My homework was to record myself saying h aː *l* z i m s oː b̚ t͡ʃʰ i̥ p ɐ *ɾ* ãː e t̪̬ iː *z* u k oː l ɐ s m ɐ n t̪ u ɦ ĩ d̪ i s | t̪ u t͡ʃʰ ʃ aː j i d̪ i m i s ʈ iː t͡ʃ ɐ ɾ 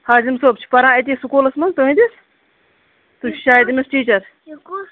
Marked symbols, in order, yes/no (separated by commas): no, yes, no